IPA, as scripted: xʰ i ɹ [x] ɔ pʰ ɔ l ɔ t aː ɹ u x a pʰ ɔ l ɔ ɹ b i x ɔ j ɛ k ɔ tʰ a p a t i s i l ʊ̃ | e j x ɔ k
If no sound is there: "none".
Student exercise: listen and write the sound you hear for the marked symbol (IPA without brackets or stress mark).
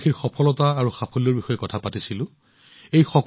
x